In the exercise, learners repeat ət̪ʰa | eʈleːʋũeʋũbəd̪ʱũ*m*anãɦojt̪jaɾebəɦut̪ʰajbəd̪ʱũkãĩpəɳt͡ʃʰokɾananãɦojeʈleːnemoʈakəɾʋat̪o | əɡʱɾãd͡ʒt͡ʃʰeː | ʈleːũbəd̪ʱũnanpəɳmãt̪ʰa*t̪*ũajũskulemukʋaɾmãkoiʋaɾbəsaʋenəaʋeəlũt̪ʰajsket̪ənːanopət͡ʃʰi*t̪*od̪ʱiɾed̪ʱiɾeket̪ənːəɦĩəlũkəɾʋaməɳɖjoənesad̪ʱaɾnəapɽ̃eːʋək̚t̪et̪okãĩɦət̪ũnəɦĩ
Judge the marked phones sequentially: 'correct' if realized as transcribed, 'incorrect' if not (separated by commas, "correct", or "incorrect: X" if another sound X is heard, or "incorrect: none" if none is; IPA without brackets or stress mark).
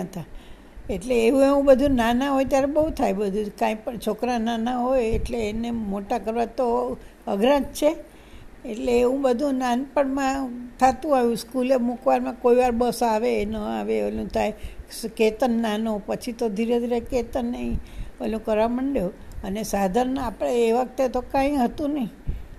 incorrect: n, correct, correct